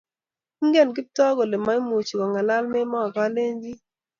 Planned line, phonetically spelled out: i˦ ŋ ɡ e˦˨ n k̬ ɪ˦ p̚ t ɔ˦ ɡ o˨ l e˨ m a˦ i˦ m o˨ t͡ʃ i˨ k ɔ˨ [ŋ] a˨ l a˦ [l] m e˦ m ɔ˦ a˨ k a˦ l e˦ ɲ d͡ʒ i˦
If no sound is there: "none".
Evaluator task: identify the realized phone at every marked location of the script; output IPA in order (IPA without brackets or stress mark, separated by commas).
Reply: ŋ, l